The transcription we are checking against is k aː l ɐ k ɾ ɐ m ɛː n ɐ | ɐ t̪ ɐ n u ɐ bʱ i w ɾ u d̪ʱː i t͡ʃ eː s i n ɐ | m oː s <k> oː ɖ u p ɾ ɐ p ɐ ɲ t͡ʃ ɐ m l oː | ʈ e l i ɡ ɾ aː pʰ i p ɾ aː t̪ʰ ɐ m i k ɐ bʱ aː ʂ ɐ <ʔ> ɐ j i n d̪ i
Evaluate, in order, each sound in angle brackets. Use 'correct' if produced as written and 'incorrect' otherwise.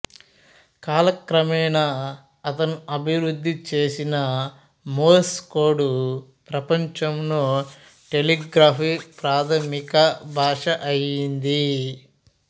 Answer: correct, correct

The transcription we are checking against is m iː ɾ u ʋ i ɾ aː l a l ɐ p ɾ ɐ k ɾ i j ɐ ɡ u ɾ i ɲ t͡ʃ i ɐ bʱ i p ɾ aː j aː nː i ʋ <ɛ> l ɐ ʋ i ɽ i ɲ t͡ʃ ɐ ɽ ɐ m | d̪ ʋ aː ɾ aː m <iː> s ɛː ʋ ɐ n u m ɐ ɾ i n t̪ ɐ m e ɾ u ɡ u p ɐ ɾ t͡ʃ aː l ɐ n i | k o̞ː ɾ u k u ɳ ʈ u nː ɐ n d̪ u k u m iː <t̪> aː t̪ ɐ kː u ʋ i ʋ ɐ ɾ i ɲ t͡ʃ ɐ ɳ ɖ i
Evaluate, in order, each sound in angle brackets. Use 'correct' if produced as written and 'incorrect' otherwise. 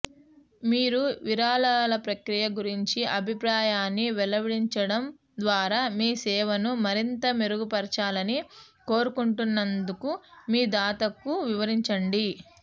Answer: correct, correct, incorrect: d̪

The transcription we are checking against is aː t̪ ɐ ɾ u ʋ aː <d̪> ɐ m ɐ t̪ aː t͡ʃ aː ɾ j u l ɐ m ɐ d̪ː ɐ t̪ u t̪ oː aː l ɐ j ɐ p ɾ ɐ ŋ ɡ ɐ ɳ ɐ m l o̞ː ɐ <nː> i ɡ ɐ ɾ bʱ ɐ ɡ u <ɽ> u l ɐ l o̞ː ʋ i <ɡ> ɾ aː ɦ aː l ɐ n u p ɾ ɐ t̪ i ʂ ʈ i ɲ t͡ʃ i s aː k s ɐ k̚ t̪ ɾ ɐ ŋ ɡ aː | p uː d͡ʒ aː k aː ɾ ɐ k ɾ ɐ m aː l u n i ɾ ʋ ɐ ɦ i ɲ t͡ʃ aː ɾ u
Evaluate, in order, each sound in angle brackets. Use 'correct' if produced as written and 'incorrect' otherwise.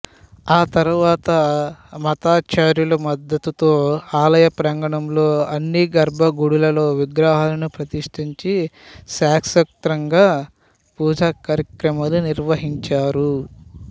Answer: incorrect: t̪, correct, correct, correct

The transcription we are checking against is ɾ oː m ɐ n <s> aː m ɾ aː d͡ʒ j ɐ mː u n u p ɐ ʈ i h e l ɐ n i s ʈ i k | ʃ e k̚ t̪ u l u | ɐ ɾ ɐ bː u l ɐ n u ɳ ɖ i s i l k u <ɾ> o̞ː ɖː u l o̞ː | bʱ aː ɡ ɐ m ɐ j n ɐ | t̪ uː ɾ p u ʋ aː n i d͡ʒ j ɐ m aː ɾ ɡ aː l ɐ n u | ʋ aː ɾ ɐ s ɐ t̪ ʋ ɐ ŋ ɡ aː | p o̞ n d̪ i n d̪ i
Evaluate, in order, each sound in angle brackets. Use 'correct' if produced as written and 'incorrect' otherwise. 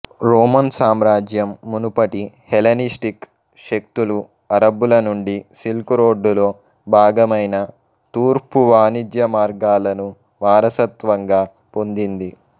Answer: correct, correct

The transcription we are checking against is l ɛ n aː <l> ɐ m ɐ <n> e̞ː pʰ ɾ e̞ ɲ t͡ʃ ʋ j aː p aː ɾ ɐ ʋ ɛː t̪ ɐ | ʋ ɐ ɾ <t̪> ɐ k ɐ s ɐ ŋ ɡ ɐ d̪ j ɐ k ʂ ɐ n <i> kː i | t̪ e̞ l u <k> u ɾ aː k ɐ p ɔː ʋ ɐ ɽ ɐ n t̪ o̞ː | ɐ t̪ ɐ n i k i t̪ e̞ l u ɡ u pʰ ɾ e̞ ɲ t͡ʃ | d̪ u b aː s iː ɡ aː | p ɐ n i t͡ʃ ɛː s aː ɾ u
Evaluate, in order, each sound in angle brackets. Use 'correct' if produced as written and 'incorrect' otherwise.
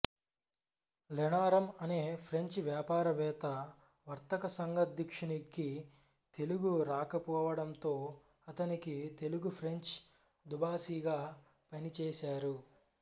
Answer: incorrect: ɾ, correct, correct, correct, incorrect: ɡ

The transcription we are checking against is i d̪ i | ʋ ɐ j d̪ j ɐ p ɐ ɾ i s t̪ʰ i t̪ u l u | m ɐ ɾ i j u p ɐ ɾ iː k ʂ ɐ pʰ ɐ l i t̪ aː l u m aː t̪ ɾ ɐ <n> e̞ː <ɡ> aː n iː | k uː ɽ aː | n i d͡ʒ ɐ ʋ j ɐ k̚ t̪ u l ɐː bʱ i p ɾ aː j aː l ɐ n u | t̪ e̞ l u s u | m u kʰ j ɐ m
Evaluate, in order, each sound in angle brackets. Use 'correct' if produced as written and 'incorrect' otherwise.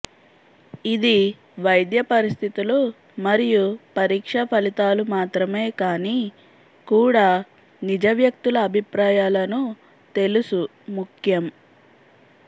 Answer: incorrect: m, incorrect: k

